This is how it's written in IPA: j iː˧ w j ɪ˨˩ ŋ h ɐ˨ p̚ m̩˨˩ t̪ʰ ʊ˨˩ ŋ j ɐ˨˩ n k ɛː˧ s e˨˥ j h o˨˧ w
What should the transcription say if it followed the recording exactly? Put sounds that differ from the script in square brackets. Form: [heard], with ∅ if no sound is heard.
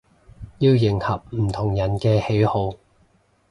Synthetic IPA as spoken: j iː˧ w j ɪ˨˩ ŋ h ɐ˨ p̚ m̩˨˩ t̪ʰ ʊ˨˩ ŋ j ɐ˨˩ n k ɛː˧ [h] e˨˥ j h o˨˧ w